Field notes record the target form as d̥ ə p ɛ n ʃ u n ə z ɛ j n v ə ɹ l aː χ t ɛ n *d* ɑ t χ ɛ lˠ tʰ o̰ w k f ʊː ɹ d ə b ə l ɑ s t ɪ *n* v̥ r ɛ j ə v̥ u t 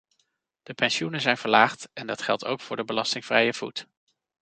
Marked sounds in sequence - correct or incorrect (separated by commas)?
correct, incorrect